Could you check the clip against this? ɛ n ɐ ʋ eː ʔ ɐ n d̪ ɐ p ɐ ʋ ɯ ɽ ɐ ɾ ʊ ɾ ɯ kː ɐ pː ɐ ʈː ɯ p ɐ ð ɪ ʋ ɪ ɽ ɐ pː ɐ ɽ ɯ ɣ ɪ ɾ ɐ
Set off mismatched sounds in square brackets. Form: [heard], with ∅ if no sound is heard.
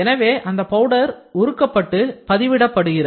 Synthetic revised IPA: ɛ n ɐ ʋ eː ʔ ɐ n d̪ ɐ p ɐ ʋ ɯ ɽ ɐ ɾ ʊ ɾ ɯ kː ɐ pː ɐ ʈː ɯ p ɐ ð ɪ ʋ ɪ ɽ ɐ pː ɐ ɽ ɯ ɣ ɪ ɾ ɐ